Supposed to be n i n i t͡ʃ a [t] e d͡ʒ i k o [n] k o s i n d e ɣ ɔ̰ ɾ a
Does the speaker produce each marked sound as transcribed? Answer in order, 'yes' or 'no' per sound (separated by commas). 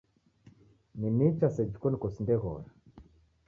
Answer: no, yes